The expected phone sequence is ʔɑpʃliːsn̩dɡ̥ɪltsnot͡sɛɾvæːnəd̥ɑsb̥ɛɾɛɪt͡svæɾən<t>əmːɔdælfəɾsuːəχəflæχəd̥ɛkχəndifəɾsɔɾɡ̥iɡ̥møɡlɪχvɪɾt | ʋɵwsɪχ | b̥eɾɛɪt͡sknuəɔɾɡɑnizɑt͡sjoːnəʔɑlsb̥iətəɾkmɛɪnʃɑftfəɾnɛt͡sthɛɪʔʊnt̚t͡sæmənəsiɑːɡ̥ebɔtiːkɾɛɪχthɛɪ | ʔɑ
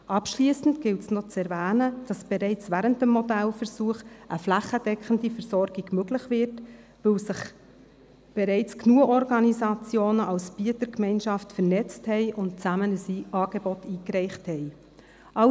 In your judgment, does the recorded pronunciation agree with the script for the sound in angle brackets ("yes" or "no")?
yes